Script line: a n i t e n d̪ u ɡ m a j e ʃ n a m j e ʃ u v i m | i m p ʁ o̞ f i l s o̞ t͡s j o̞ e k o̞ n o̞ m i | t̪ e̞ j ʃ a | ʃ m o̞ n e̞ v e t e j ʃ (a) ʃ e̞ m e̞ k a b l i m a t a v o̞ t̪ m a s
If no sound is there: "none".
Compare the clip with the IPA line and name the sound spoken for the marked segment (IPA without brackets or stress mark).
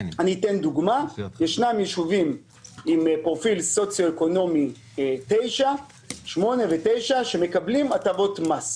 a